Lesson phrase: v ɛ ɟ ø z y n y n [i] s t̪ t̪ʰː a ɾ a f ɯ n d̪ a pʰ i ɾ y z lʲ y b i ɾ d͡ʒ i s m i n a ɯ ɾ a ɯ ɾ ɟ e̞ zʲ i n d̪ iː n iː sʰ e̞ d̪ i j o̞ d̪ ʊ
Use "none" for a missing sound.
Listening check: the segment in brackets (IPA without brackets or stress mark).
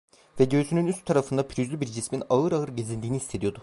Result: y